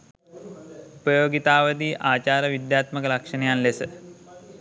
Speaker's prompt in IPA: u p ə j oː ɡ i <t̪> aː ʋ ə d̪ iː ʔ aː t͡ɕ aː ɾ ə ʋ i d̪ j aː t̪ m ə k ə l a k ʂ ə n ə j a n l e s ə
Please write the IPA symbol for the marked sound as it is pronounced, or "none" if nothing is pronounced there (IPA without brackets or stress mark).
t̪